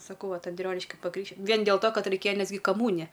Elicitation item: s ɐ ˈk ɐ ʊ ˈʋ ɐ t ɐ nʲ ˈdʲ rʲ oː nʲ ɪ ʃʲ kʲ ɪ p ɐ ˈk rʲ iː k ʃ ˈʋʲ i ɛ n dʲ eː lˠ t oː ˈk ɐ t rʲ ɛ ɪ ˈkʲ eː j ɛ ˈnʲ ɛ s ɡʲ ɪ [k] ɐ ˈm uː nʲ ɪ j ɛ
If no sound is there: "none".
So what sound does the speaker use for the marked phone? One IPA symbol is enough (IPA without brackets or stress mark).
k